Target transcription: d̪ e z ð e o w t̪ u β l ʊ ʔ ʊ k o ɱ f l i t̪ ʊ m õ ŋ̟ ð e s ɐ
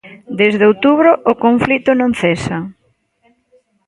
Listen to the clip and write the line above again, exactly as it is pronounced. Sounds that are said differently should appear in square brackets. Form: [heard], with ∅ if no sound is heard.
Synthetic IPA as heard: d̪ e z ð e o w t̪ u β [ɾ] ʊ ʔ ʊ k o ɱ f l i t̪ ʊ [n] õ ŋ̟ [θ] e s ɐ